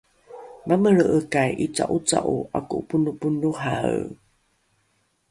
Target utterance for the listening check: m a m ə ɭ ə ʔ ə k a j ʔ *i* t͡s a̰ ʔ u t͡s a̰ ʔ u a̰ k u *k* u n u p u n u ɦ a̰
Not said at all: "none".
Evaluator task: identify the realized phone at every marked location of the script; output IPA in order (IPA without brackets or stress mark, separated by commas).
i, p